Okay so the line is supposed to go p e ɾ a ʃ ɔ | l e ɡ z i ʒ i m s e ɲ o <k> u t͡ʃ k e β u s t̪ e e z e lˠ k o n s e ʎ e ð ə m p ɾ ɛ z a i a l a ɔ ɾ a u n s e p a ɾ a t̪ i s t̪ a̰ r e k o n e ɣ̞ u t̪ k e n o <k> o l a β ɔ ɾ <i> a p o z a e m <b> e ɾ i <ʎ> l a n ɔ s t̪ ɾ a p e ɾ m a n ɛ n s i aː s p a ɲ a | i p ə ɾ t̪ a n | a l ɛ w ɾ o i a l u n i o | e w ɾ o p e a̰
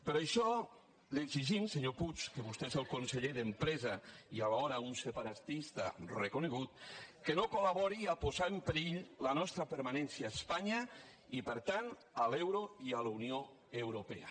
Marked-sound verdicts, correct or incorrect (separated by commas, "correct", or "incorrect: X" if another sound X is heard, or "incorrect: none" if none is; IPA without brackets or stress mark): incorrect: p, correct, correct, incorrect: p, correct